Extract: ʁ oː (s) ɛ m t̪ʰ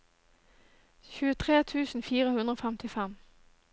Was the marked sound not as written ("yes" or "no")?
yes